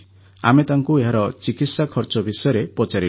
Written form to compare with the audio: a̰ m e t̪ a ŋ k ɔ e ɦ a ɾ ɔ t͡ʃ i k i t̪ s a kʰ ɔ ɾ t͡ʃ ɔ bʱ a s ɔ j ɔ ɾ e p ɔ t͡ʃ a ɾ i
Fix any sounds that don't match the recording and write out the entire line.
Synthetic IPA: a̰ m e t̪ a ŋ k u e ɦ a ɾ ɔ t͡ʃ i k i t̪ s a kʰ ɔ ɾ t͡ʃ ɔ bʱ i s ɔ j ɔ ɾ e p ɔ t͡ʃ a ɾ i